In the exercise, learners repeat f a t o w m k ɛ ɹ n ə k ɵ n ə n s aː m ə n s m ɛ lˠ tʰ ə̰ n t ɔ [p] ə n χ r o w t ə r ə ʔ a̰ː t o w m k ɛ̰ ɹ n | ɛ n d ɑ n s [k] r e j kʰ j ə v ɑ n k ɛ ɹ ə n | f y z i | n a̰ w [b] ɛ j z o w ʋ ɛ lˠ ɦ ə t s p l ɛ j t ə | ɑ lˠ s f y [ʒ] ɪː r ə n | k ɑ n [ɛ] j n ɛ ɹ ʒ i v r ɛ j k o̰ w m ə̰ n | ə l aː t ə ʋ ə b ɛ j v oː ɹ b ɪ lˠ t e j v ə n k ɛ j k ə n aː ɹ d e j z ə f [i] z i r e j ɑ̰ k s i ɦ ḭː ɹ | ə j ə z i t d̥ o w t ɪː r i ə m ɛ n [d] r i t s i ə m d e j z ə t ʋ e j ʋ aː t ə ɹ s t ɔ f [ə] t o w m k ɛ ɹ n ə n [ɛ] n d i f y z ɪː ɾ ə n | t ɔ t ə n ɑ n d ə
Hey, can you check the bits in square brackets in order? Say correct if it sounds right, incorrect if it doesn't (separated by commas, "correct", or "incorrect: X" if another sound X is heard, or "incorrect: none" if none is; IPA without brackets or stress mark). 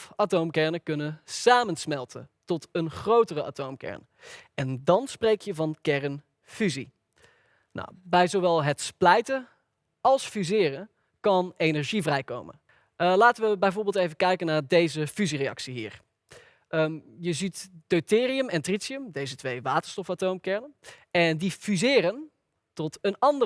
incorrect: t, incorrect: p, correct, incorrect: z, incorrect: e, incorrect: y, incorrect: t, incorrect: a, correct